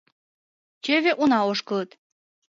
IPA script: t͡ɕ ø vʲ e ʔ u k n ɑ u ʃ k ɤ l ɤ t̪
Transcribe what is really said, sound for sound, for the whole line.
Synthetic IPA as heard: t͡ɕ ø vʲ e ʔ u n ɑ o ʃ k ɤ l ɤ t̪